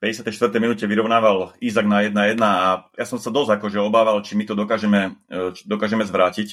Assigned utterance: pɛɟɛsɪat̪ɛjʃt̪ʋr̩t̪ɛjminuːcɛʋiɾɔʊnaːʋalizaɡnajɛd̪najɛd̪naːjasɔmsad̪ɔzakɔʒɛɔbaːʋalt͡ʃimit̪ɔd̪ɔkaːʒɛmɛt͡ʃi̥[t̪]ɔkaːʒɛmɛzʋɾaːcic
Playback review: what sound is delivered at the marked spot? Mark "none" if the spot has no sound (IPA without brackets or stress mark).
d̪